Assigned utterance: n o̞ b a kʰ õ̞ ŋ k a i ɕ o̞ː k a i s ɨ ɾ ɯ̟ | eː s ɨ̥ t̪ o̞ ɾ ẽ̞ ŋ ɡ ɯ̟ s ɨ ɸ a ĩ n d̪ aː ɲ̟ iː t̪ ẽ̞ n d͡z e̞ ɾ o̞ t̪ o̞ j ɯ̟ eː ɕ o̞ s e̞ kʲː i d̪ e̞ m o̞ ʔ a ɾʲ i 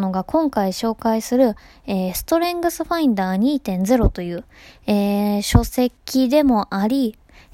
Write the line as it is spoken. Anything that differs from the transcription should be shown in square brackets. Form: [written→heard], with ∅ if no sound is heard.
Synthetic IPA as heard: n o̞ [b→ɡ] a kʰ õ̞ ŋ k a i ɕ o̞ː k a i s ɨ ɾ ɯ̟ | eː s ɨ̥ t̪ o̞ ɾ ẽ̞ ŋ ɡ ɯ̟ s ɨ ɸ a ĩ n d̪ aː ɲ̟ iː t̪ ẽ̞ n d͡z e̞ ɾ o̞ t̪ o̞ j [ɯ̟→ɯ̟ː] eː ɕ o̞ s e̞ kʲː i d̪ e̞ m o̞ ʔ a ɾʲ i